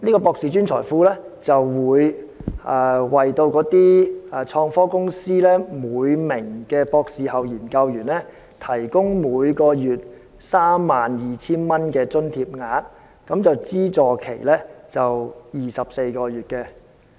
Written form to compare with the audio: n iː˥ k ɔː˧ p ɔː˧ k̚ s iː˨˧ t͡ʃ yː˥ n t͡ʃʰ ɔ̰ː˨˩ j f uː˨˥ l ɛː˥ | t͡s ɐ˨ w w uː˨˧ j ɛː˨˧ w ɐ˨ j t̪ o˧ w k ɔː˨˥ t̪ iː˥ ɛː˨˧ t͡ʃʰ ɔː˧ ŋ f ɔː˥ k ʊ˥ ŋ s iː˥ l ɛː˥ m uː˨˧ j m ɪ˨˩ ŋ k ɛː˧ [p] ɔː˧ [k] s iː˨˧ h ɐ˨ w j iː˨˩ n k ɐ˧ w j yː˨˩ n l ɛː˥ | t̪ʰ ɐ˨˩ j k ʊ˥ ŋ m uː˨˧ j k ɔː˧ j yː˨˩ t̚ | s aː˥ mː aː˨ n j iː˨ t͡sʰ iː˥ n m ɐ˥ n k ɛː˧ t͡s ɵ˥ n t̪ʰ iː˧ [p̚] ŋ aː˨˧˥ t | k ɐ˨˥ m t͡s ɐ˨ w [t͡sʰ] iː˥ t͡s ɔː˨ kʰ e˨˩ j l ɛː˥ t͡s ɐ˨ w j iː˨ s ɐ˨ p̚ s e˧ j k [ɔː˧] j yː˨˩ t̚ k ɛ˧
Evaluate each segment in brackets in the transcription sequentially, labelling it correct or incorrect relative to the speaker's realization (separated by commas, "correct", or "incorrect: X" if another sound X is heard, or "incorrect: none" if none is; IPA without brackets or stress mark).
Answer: correct, correct, correct, incorrect: t͡s, correct